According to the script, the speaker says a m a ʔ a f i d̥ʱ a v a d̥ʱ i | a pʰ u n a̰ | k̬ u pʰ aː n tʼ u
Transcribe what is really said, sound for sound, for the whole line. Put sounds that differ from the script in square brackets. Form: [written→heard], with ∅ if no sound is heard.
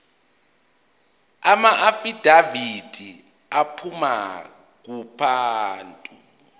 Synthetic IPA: a m a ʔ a f i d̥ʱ a v [a→i] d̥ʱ i | a pʰ u [n→m] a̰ | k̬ u pʰ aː n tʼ u